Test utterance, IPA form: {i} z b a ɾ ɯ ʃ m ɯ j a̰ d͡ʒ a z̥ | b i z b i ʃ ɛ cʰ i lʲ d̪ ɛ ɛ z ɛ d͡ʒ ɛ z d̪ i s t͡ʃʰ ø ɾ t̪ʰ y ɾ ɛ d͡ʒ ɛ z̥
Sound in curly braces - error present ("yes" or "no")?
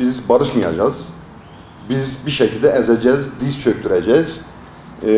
no